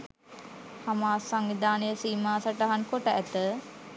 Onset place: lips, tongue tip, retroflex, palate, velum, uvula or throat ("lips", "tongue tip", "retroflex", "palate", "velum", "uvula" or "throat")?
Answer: throat